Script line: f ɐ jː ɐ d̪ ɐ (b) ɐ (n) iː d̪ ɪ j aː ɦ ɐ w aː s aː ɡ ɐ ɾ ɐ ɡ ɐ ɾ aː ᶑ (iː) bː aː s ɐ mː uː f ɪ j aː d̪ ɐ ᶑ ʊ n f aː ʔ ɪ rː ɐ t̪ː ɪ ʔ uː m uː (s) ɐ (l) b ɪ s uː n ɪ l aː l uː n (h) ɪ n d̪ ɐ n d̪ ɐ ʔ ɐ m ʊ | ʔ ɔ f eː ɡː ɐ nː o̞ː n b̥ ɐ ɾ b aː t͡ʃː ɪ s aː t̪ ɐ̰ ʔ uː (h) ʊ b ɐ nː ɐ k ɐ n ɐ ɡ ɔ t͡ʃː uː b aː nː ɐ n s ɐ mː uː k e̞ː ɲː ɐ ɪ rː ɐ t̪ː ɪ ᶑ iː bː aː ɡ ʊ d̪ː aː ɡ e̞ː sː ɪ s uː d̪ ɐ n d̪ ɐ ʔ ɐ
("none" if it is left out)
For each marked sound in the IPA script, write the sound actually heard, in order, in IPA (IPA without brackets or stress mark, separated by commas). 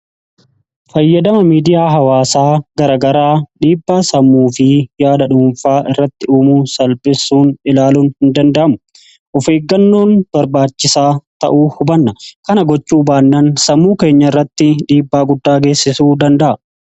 m, m, iː, s, l, h, h